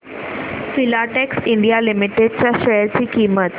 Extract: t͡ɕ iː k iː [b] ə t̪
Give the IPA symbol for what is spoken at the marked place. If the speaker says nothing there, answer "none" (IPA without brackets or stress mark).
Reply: m